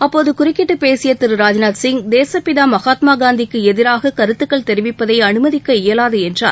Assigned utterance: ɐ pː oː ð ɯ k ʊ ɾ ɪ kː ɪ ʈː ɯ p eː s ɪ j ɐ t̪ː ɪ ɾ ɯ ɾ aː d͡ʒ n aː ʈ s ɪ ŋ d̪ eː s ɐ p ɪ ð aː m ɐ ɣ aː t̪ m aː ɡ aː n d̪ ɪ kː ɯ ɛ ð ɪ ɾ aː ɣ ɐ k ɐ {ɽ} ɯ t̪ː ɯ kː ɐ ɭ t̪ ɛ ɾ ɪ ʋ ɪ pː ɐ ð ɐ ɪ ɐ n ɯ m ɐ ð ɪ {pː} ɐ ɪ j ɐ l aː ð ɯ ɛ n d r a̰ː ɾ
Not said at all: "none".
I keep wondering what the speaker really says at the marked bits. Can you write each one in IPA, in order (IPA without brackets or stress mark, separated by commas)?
ɾ, kː